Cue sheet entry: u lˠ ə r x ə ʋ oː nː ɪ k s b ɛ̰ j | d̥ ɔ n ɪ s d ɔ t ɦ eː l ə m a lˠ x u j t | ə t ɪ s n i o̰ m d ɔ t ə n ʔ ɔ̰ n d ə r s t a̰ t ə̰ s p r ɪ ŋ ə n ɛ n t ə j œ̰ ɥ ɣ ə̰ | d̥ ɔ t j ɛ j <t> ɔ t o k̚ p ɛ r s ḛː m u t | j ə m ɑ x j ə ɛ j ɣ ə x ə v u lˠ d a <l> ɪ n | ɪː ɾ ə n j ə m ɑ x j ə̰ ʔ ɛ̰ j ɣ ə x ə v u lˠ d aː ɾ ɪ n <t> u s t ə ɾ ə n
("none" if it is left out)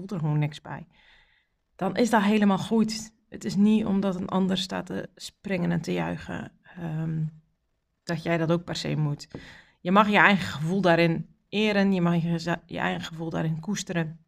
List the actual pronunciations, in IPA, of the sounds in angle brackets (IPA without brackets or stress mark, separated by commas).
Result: d, ɾ, k